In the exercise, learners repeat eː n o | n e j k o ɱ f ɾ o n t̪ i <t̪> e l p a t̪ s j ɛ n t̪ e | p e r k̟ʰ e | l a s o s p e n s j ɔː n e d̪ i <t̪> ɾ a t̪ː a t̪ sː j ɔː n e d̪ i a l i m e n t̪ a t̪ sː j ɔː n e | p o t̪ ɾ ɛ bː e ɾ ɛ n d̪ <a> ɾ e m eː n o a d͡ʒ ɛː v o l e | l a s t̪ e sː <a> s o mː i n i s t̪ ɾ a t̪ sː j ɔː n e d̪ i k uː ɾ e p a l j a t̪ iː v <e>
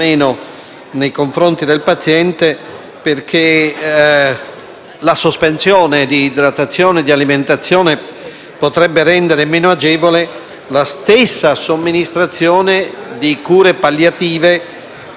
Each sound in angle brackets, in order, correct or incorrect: incorrect: d̪, incorrect: d̪, incorrect: e, correct, correct

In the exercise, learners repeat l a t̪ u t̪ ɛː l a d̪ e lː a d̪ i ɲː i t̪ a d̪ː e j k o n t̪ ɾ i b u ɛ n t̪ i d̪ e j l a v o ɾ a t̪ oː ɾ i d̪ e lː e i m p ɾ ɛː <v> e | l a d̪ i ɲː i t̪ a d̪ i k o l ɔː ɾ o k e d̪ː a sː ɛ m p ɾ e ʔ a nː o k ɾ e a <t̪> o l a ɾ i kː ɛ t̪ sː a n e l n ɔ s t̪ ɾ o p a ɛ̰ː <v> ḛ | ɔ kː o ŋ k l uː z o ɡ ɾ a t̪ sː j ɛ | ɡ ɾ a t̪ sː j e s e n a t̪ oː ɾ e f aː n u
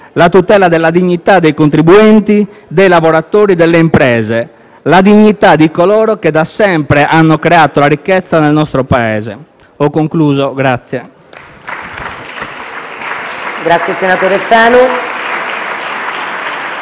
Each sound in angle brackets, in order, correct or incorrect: incorrect: z, correct, incorrect: z

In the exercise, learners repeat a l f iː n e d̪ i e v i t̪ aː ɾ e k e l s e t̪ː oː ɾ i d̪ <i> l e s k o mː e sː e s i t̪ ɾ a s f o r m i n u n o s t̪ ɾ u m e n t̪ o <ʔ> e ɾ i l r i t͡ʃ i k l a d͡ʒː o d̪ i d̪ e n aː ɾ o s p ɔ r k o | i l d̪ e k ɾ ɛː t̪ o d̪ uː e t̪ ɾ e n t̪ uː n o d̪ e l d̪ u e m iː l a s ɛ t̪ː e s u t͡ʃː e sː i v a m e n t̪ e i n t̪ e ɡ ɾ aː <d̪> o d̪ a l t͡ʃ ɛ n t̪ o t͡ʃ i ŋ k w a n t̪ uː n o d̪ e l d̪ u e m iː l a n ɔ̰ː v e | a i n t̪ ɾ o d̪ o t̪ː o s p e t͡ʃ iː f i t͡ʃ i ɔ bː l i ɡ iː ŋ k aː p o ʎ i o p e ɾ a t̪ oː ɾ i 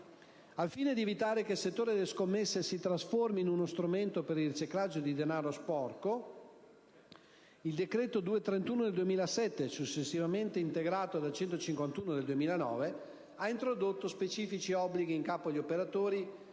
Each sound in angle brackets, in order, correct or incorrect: incorrect: e, incorrect: p, incorrect: t̪

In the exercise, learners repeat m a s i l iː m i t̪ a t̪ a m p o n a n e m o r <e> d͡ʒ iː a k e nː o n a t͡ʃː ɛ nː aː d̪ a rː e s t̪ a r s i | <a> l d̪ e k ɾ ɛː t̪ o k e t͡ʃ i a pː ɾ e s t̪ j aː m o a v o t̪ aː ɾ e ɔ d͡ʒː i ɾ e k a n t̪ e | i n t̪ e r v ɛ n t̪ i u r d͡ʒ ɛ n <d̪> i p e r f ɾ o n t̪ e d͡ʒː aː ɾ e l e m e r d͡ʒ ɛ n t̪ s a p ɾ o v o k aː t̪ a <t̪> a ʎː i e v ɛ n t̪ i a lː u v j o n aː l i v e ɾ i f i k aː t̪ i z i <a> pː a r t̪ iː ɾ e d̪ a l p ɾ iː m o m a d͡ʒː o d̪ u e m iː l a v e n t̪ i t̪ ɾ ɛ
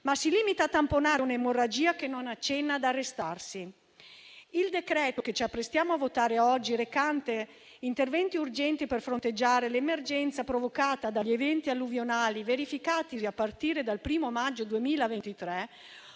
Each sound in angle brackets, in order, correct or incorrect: incorrect: a, incorrect: i, incorrect: t̪, incorrect: d̪, correct

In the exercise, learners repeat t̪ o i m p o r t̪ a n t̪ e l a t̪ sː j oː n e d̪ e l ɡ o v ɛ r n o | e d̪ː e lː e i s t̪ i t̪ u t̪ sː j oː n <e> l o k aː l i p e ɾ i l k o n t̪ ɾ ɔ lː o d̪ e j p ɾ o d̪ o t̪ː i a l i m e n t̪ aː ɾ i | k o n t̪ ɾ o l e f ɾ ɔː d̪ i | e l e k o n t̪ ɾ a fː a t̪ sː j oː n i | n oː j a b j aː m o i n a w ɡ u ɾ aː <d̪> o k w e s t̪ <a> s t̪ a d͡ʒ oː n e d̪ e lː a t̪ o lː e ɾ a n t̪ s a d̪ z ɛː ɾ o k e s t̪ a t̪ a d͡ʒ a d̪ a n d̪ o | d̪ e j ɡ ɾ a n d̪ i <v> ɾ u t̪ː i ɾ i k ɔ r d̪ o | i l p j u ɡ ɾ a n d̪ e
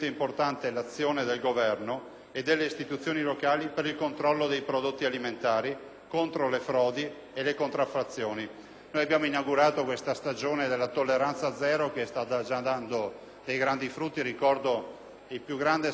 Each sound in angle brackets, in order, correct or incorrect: incorrect: i, incorrect: t̪, correct, incorrect: f

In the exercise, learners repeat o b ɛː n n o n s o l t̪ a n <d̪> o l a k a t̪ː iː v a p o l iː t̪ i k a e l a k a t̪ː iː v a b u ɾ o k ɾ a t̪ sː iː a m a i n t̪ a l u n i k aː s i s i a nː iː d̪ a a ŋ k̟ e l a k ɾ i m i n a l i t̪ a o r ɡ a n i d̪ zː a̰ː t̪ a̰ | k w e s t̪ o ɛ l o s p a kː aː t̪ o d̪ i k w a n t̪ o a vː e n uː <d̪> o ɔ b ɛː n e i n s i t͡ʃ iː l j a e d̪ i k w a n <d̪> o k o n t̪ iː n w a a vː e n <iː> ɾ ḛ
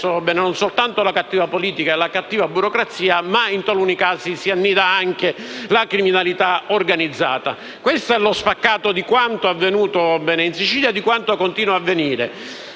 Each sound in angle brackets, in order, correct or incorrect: incorrect: t̪, incorrect: t̪, incorrect: t̪, correct

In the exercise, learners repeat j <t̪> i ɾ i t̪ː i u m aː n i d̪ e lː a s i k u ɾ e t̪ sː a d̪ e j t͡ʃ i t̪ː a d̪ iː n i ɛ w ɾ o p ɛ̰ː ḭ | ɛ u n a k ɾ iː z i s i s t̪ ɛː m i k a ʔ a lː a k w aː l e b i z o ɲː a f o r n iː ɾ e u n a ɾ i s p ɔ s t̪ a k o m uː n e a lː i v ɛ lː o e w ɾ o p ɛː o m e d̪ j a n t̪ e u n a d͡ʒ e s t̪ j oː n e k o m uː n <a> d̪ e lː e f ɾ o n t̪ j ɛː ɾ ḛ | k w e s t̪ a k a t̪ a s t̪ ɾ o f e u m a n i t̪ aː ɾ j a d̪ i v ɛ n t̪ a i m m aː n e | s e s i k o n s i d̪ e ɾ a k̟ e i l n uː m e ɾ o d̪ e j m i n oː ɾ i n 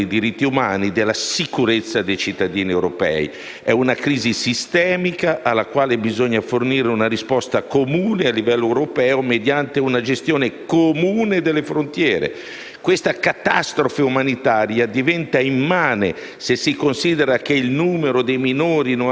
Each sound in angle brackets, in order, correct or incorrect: incorrect: d̪, incorrect: e

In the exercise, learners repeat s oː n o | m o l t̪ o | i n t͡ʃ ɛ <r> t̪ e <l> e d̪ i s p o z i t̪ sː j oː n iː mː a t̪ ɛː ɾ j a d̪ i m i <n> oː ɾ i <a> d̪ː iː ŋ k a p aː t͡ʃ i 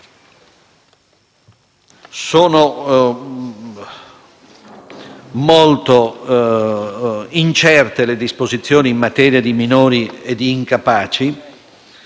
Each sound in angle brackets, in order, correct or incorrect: correct, correct, correct, incorrect: e

